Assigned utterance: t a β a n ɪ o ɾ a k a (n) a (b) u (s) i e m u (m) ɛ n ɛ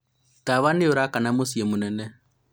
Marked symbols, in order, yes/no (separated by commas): yes, no, yes, no